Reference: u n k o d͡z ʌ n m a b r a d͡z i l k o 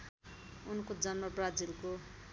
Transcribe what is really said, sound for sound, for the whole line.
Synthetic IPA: u n k o d͡z ʌ n m ʌ b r a d͡z i l k o